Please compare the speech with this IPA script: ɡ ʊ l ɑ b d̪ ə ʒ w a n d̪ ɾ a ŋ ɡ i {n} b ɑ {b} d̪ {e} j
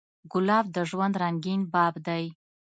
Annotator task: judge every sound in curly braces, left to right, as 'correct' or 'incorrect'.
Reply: correct, correct, incorrect

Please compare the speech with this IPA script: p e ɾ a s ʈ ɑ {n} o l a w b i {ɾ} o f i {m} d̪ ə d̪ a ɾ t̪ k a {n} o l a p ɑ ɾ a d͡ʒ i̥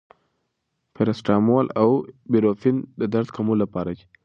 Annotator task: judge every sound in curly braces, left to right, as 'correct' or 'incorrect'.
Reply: incorrect, correct, incorrect, incorrect

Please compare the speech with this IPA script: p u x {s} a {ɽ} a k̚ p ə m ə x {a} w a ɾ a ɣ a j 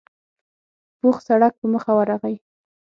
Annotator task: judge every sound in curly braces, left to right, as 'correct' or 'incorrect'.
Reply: correct, correct, correct

